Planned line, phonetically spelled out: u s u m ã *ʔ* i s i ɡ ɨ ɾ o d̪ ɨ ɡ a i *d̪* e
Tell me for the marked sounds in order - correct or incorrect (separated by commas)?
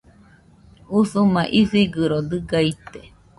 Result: correct, incorrect